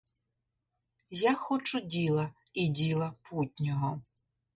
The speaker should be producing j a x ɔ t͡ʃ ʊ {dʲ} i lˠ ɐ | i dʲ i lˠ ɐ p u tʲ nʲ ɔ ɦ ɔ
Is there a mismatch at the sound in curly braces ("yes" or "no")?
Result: no